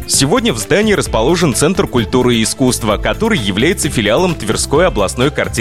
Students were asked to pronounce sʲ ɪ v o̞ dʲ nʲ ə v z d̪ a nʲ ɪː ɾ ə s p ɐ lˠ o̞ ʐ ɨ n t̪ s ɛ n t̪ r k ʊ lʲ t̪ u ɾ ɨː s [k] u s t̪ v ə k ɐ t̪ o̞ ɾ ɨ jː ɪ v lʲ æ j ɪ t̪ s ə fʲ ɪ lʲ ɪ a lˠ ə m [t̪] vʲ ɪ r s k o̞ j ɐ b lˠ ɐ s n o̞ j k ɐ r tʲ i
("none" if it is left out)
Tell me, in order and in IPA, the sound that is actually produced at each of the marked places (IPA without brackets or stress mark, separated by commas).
k, t̪